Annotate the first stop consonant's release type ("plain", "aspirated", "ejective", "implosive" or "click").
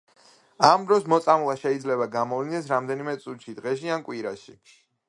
plain